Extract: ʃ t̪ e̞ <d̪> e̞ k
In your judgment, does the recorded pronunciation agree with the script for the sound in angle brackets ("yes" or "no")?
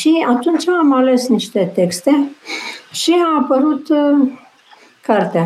no